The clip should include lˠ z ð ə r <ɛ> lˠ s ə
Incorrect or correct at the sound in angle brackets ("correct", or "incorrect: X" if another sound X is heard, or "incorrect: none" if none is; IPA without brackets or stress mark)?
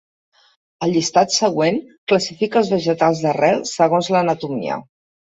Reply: correct